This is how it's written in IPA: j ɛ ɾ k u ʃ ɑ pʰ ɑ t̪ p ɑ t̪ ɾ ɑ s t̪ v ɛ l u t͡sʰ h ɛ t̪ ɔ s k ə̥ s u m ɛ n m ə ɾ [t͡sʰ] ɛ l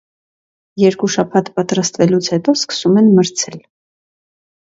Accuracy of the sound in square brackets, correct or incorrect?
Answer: correct